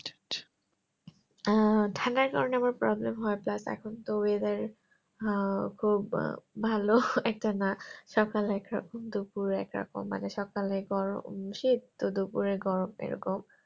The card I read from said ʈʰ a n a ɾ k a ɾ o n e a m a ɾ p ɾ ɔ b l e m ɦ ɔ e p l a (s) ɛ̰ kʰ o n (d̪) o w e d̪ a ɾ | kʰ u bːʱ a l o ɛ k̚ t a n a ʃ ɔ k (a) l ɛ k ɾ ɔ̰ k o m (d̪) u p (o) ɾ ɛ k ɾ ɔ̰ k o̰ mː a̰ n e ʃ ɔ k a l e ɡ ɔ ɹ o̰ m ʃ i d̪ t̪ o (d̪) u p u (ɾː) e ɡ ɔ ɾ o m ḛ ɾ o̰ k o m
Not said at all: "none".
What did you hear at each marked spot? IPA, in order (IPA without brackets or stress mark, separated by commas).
s, t̪, a, d̪, u, d̪, ɾ